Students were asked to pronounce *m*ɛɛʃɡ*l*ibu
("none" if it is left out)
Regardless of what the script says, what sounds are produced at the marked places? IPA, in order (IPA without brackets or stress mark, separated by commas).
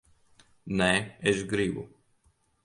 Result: n, ɾ